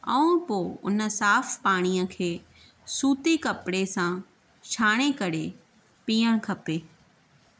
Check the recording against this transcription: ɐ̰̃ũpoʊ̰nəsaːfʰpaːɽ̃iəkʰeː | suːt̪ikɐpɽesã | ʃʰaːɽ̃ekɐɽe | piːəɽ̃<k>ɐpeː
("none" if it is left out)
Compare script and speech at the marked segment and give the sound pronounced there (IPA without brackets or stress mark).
kʰ